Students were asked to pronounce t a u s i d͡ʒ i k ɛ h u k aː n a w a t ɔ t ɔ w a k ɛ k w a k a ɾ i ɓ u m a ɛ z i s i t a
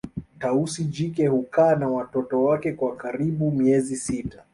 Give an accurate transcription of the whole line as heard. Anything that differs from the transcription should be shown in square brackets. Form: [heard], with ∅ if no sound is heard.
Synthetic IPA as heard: t a u s i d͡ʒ i k ɛ h u k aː n a w a t ɔ t ɔ w a k ɛ k w a k a ɾ i ɓ u m [i] ɛ z i s i t a